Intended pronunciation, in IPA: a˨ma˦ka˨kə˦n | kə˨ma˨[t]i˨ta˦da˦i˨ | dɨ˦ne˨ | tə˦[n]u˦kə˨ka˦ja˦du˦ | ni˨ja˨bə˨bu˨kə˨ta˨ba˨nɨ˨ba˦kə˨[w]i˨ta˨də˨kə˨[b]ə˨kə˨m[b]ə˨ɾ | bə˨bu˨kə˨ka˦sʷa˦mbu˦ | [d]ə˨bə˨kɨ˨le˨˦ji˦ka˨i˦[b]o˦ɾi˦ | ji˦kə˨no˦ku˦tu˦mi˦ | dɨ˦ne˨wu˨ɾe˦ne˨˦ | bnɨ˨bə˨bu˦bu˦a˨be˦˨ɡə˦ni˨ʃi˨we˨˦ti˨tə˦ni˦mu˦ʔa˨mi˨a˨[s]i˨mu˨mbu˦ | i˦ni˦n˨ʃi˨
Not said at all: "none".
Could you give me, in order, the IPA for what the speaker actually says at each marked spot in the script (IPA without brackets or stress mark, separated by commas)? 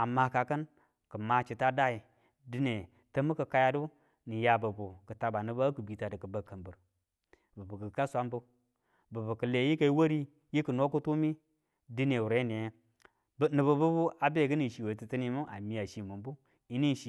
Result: t͡ʃ, m, b, b, b, b, w, ʃ